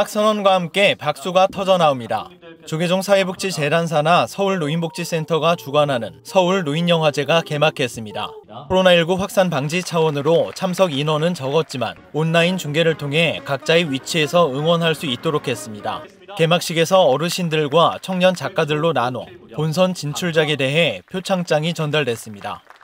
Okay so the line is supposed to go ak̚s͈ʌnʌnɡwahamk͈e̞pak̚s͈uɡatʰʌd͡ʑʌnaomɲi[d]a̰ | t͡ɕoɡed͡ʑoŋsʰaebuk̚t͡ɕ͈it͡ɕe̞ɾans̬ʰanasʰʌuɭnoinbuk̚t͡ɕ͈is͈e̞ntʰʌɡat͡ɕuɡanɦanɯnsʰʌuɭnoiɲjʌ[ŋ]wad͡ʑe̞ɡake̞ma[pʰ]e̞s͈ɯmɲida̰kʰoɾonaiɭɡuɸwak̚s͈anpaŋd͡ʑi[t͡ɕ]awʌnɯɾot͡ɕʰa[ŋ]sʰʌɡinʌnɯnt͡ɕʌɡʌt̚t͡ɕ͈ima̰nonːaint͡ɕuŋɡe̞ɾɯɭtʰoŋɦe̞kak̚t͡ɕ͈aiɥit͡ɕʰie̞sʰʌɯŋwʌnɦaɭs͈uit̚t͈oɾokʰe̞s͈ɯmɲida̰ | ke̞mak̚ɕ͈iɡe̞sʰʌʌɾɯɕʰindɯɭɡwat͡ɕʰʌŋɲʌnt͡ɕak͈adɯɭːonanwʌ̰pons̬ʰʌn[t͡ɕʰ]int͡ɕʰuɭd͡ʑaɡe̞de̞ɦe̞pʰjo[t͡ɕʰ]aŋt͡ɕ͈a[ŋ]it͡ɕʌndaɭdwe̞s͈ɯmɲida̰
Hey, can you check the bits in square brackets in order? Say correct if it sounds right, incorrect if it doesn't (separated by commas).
correct, correct, incorrect, incorrect, incorrect, incorrect, correct, correct